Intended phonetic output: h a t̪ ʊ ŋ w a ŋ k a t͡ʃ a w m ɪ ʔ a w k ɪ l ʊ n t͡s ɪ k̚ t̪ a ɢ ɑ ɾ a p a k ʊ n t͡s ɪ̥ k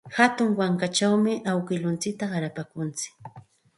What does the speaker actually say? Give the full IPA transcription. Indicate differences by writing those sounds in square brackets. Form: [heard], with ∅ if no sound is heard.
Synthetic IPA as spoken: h a t̪ ʊ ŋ w a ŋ k a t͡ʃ a w m ɪ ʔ a w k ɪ l ʊ n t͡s ɪ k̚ t̪ a ɢ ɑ ɾ a p a k ʊ n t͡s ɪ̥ k